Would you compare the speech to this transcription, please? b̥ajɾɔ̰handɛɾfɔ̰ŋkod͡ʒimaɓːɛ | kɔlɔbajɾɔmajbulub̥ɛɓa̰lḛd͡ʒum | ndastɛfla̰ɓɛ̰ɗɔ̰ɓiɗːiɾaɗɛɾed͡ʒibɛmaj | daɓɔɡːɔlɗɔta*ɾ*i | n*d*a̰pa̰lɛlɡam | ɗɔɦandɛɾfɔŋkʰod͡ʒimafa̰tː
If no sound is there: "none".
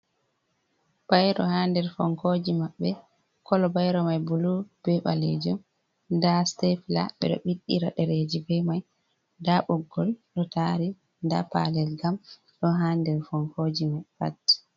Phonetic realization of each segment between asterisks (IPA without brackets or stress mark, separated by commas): ɾ, d